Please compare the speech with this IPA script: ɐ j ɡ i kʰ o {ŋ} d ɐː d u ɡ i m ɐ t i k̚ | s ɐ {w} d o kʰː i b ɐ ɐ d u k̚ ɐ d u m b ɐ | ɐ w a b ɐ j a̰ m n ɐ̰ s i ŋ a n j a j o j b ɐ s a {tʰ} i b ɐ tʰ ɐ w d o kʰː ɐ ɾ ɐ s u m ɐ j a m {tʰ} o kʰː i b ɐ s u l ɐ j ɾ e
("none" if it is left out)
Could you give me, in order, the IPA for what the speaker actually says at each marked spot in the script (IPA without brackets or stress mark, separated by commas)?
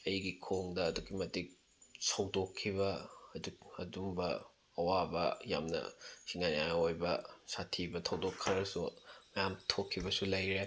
ŋ, w, tʰ, tʰ